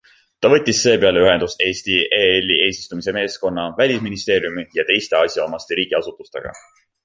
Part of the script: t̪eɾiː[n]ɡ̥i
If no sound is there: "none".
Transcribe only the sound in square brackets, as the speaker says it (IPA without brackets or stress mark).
none